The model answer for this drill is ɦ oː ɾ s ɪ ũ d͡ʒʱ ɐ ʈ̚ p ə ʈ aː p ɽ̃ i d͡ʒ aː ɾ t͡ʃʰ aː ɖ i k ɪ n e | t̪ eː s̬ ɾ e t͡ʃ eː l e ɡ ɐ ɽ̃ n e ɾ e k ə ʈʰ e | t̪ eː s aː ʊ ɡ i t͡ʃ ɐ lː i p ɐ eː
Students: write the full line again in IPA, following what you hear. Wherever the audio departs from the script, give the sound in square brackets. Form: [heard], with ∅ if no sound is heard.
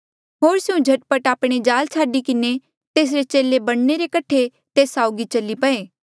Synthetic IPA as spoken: ɦ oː ɾ s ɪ ũ d͡ʒʱ ɐ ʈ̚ p ə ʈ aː p ɽ̃ [e] d͡ʒ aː [l] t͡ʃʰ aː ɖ i k ɪ n e | t̪ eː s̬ ɾ e t͡ʃ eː l e [b] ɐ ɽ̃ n e ɾ e k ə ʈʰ e | t̪ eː s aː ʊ ɡ i t͡ʃ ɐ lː i p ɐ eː